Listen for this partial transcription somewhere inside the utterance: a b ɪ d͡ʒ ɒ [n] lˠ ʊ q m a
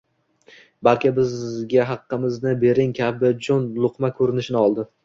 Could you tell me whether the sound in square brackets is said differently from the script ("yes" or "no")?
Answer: no